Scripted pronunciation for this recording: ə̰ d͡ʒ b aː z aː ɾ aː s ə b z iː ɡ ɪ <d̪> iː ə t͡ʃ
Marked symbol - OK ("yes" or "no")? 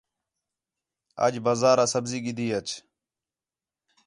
yes